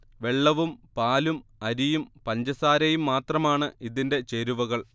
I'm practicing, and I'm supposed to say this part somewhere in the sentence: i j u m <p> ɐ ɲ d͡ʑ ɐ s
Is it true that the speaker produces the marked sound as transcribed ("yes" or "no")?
yes